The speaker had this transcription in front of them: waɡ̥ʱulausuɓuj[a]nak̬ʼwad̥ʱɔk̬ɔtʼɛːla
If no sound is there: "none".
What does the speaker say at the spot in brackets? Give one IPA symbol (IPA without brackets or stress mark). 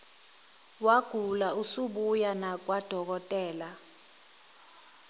a